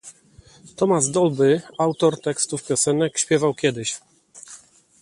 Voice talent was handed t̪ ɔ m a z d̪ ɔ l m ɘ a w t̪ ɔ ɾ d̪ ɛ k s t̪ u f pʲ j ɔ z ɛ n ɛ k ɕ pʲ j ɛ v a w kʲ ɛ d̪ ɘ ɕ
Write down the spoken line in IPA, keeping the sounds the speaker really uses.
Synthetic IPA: t̪ ɔ m a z d̪ ɔ l b ɘ a w t̪ ɔ ɾ t̪ ɛ k s t̪ u f pʲ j ɔ s ɛ n ɛ k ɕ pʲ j ɛ v a w kʲ ɛ d̪ ɘ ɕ